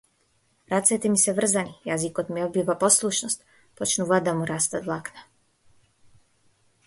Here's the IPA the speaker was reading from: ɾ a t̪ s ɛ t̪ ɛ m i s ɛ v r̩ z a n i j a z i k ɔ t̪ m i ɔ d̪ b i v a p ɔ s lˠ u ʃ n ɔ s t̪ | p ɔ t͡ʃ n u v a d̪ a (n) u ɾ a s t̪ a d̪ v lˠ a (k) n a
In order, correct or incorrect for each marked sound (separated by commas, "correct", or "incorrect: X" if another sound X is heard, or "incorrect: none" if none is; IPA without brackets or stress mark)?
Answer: incorrect: m, correct